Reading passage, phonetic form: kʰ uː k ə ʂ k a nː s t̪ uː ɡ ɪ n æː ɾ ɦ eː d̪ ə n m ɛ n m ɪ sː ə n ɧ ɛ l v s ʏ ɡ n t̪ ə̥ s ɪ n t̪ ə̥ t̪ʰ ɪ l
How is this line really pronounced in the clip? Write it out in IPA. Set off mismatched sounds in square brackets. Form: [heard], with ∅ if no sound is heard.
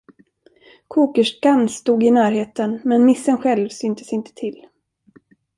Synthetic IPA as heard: kʰ uː k ə ʂ k a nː s t̪ uː ɡ ɪ n æː ɾ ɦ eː [t̪] ə n m ɛ n m ɪ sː ə n ɧ ɛ l v s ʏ [∅] n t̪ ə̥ s ɪ n t̪ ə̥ t̪ʰ ɪ l